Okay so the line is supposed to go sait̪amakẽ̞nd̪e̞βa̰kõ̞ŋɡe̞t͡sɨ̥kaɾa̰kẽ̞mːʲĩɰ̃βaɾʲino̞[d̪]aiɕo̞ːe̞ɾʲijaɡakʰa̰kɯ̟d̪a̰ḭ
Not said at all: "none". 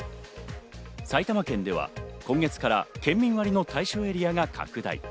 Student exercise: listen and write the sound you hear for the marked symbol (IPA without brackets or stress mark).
t̪